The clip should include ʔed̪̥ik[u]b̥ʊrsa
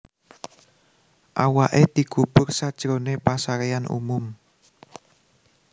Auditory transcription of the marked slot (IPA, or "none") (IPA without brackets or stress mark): u